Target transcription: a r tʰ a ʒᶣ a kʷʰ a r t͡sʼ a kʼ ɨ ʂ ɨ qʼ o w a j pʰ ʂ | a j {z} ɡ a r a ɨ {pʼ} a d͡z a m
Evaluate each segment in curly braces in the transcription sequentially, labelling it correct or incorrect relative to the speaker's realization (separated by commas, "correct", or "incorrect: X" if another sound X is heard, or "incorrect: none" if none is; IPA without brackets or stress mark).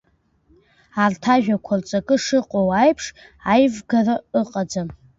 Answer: incorrect: v, incorrect: qʼ